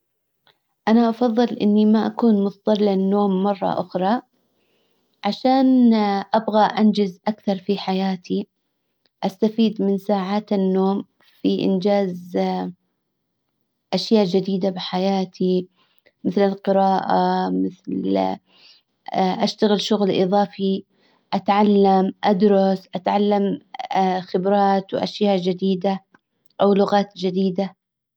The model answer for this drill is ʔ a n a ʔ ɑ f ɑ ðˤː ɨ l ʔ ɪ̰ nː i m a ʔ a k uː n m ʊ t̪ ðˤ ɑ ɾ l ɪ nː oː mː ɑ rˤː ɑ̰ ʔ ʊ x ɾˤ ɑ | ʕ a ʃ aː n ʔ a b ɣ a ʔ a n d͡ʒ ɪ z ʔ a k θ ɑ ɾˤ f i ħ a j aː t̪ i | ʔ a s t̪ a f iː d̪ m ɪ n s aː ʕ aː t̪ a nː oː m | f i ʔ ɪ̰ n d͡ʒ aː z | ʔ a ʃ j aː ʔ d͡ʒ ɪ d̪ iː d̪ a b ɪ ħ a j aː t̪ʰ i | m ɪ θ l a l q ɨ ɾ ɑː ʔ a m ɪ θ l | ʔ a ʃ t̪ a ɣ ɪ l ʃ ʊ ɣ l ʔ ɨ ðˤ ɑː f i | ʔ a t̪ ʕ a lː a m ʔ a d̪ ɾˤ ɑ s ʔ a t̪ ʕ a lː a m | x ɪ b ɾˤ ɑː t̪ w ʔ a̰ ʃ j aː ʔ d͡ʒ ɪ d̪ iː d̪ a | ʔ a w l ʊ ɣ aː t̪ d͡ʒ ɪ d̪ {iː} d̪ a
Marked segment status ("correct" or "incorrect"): correct